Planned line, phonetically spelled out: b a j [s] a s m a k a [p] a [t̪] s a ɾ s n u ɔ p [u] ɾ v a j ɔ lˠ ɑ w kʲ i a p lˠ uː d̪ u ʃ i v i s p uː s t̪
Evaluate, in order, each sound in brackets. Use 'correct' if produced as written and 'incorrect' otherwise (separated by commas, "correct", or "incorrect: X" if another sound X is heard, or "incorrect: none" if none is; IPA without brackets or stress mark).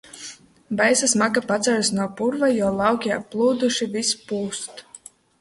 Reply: correct, correct, correct, correct